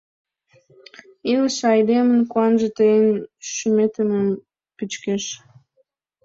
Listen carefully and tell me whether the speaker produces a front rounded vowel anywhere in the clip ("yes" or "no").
yes